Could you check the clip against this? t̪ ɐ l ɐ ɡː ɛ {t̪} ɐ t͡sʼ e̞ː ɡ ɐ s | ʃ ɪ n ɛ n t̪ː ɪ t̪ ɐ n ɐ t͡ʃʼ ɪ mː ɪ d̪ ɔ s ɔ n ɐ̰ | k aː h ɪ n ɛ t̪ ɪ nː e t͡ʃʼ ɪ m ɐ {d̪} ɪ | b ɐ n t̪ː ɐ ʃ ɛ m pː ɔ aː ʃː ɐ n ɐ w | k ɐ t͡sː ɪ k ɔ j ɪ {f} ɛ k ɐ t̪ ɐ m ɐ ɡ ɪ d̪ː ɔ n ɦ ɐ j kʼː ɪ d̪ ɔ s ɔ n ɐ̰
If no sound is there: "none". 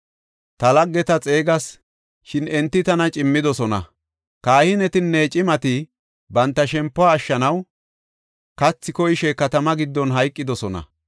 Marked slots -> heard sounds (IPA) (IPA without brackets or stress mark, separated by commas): t̪, t̪, ʃ